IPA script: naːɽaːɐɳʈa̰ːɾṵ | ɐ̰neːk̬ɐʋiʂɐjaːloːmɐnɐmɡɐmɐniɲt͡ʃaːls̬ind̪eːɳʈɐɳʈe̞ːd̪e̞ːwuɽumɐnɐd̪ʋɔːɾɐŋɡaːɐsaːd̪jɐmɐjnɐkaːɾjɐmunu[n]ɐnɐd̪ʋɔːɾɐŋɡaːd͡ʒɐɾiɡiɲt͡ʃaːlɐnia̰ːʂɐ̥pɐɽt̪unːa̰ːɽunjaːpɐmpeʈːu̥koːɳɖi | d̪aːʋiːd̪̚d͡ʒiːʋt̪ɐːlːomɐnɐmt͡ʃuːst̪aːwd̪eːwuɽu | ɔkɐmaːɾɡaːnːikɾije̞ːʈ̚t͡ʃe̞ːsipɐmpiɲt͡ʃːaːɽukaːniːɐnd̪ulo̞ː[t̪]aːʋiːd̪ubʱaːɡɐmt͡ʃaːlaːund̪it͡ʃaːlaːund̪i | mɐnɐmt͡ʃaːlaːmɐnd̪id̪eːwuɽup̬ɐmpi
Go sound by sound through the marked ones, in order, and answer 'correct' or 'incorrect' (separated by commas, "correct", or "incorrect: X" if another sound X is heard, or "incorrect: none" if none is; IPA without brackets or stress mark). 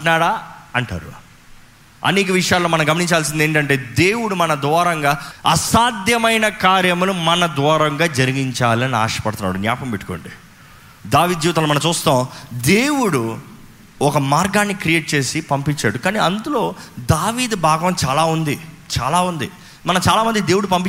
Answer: incorrect: m, incorrect: d̪